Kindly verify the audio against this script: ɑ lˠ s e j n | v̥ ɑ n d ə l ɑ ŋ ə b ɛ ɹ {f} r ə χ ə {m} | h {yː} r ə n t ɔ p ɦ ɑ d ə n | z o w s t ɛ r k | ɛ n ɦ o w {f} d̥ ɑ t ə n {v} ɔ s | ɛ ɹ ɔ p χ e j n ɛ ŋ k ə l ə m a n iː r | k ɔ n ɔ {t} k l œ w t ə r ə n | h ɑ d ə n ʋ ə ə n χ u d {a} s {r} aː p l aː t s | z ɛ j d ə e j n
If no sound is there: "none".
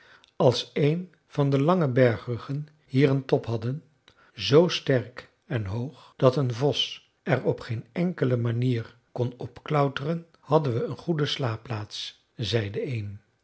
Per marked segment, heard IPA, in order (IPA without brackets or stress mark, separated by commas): χ, n, iː, χ, v, p, ə, l